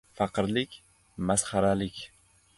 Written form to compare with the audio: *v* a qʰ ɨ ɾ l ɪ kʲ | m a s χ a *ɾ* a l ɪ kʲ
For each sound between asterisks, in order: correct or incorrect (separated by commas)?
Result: incorrect, correct